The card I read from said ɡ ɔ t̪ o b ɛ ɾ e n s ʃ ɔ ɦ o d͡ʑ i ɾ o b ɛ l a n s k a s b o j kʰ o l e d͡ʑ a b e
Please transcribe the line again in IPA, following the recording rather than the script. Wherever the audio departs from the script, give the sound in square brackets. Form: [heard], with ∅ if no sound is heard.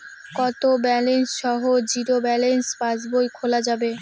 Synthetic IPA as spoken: [k] ɔ t̪ o b ɛ [l] e n s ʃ ɔ ɦ o d͡ʑ i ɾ o b ɛ l [e] n s [p] a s b o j kʰ o l [a] d͡ʑ a b e

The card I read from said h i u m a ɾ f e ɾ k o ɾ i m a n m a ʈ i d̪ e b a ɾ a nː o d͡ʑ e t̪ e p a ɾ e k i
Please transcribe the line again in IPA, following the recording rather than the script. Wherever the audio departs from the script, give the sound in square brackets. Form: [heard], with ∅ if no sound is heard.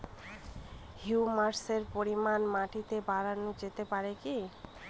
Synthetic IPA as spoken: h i u m a ɾ [s] e ɾ [p] o ɾ i m a n m a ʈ i [t̪] e b a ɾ a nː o d͡ʑ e t̪ e p a ɾ e k i

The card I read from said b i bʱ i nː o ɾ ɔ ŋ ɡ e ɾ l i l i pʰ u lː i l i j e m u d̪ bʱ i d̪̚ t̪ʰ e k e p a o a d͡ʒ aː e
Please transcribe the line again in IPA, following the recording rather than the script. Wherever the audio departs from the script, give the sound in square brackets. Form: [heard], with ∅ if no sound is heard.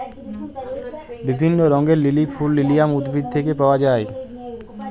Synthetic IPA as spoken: b i bʱ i nː o ɾ ɔ ŋ ɡ e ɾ l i l i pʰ u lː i l i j [a] m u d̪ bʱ i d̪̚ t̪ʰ e k e p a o a d͡ʒ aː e

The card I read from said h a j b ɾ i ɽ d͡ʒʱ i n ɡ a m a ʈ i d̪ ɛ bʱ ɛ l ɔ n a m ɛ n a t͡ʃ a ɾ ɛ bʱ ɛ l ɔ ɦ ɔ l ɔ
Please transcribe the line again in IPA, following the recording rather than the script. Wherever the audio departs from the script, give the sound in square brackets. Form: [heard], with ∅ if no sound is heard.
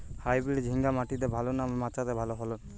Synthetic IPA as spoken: h a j b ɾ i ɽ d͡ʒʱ i [ŋ] ɡ a m a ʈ i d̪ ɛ bʱ [a] l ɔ n a m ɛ [m] a t͡ʃ a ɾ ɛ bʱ [a] l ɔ ɦ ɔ l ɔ

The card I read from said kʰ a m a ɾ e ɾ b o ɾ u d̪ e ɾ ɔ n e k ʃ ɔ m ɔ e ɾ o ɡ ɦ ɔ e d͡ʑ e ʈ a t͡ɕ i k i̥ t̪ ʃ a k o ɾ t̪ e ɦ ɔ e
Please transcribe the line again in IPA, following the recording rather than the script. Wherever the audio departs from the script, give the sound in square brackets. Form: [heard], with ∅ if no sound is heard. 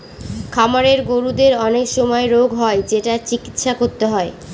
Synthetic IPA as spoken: kʰ a m a ɾ e ɾ [ɡ] o ɾ u d̪ e ɾ ɔ n e k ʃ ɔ m ɔ e ɾ o ɡ ɦ ɔ e d͡ʑ e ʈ a t͡ɕ i k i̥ t̪ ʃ a k o ɾ t̪ e ɦ ɔ e

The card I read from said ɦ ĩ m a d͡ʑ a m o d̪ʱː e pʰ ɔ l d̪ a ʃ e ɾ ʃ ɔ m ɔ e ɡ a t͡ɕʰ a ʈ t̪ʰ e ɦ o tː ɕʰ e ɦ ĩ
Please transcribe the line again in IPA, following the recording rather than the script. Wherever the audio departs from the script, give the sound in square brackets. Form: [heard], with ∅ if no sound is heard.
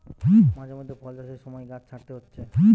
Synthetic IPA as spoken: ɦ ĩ m a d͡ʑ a m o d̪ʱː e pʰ ɔ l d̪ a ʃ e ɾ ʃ ɔ m ɔ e ɡ a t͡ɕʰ a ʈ [t̪] e ɦ o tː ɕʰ e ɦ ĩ

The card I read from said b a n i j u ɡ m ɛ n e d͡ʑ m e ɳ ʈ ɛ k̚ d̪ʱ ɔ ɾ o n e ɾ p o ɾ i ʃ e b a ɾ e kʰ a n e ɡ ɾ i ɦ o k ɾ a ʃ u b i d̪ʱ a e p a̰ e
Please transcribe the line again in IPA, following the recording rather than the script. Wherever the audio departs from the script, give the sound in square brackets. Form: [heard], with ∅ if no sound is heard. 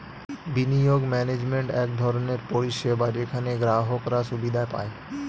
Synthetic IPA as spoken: b [i] n i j [o] ɡ m ɛ n e d͡ʑ m e ɳ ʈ ɛ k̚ d̪ʱ ɔ ɾ o n e ɾ p o ɾ i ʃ e b a ɾ e kʰ a n e ɡ ɾ [a] ɦ o k ɾ a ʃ u b i d̪ʱ a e p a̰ e

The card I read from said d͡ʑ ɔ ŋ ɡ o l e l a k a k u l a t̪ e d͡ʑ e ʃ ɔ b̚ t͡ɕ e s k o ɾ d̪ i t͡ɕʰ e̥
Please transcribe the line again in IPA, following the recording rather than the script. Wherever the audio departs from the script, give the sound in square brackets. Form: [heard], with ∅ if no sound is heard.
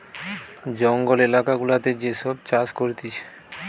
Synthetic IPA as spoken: d͡ʑ ɔ ŋ ɡ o l e l a k a [ɡ] u l a t̪ e d͡ʑ e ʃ ɔ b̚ t͡ɕ [a] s k o ɾ [t̪] i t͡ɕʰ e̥

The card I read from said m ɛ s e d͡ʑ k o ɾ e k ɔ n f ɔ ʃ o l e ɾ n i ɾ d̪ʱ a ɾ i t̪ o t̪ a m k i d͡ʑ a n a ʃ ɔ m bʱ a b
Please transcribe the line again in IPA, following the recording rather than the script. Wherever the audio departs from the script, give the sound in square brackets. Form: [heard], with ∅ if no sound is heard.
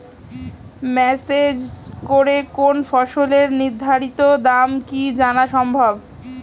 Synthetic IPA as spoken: m ɛ s e d͡ʑ k o ɾ e k [o] n f ɔ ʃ o l e ɾ n i ɾ d̪ʱ a ɾ i t̪ o [d̪] a m k i d͡ʑ a n a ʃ ɔ m bʱ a b

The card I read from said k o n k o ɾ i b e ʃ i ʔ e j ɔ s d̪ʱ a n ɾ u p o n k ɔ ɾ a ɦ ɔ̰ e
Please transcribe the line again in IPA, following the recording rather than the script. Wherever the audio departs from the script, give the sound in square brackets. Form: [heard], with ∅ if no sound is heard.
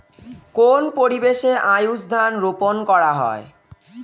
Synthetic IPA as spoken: k o n [p] o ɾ i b e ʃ [e] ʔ [a] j [u] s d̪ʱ a n ɾ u p o n k ɔ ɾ a ɦ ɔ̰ e

